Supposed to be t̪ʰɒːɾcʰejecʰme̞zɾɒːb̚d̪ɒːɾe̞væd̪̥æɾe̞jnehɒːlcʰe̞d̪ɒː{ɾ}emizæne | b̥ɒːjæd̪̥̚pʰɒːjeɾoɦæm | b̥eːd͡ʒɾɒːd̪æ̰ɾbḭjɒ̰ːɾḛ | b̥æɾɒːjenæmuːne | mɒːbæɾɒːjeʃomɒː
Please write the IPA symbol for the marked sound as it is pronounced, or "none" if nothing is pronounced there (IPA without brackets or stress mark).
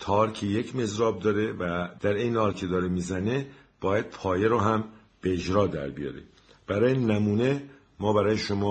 ɾ